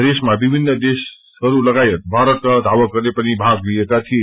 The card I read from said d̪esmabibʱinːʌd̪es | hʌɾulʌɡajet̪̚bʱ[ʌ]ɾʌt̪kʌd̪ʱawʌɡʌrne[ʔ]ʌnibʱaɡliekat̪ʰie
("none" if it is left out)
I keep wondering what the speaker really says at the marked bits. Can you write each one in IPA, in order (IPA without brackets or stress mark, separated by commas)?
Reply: a, p